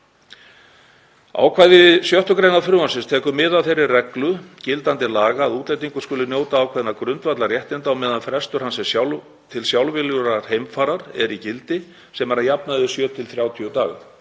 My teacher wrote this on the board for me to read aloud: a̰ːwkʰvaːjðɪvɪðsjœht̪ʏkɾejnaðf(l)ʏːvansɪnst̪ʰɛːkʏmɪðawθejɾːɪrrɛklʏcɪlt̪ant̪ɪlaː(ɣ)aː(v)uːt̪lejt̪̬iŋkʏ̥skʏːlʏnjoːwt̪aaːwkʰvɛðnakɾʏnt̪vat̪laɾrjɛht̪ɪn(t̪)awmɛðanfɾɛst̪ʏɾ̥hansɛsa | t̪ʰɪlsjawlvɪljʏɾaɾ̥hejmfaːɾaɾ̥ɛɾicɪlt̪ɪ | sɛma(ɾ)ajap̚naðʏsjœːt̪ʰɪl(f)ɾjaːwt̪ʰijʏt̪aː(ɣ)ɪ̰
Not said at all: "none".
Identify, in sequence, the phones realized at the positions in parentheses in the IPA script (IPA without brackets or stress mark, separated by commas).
ɾ, ɣ, ð, t̪, ɾ, θ, ɣ